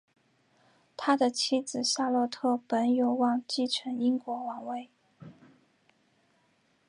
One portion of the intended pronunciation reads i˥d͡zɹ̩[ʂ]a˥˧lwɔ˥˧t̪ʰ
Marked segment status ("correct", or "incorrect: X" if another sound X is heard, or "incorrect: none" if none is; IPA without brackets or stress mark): incorrect: ɕ